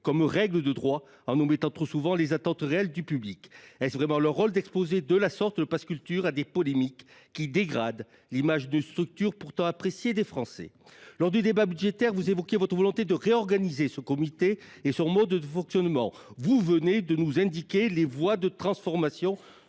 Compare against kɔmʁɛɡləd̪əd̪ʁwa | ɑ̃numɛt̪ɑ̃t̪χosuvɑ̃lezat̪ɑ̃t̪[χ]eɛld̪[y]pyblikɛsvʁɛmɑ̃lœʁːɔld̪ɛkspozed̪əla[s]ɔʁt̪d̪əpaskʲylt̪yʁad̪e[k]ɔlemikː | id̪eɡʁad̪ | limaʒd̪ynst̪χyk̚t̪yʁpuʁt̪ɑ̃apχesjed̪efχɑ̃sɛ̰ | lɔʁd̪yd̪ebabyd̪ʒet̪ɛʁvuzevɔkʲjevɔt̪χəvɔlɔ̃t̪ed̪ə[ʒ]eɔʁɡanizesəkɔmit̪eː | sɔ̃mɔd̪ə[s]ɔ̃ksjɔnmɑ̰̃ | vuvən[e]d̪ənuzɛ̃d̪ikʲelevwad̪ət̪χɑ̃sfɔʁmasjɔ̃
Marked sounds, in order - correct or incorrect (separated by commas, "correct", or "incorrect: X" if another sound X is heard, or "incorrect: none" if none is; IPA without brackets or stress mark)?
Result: incorrect: ʁ, correct, correct, incorrect: p, incorrect: ʁ, incorrect: f, correct